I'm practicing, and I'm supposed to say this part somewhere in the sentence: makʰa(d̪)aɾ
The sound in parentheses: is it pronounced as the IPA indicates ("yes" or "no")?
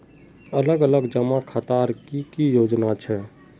no